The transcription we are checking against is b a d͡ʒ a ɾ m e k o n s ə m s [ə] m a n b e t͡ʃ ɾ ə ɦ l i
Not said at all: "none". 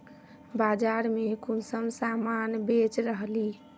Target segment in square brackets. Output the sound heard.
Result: a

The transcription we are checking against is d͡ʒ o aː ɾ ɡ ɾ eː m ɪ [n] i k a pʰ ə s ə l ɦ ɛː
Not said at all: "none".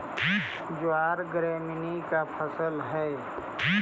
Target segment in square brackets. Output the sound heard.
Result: n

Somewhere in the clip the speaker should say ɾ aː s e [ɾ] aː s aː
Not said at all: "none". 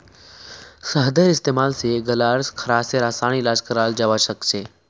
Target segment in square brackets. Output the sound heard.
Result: ɾ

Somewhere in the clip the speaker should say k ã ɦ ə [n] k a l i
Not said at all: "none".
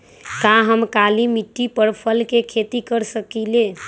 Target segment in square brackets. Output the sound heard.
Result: m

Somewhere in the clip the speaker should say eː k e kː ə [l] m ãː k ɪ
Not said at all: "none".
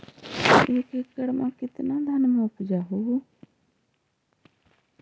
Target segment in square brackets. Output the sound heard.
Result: ɽ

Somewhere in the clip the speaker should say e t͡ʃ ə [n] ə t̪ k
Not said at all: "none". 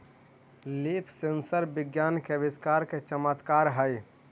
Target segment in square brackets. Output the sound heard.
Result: m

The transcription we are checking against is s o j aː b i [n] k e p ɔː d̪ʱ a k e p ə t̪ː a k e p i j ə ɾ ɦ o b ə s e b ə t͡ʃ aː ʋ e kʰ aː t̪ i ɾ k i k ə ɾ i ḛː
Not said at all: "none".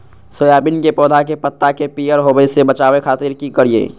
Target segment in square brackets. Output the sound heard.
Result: n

